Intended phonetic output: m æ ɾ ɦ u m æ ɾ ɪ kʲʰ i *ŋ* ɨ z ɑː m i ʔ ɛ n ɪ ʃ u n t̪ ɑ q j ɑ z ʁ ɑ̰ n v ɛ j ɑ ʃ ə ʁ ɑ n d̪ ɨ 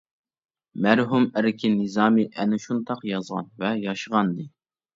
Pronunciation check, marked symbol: incorrect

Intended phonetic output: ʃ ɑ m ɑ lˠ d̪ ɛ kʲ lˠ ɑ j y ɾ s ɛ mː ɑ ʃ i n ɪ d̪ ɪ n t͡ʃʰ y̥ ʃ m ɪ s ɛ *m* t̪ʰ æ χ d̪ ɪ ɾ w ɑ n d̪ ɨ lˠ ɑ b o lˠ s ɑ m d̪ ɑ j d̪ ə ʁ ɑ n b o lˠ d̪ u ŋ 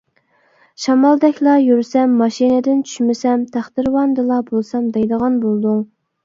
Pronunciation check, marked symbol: correct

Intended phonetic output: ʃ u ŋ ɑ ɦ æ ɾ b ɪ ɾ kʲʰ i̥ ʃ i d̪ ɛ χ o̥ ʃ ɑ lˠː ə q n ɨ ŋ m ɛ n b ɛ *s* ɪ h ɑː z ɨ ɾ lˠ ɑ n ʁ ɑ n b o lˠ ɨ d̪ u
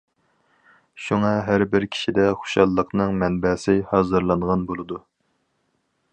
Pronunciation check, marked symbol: correct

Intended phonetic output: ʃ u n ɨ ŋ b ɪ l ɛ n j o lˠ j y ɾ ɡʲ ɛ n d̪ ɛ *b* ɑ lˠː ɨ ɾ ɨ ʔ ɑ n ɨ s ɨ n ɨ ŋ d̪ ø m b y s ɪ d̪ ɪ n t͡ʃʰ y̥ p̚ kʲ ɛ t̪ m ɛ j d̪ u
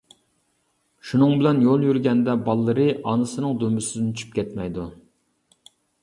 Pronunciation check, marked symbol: correct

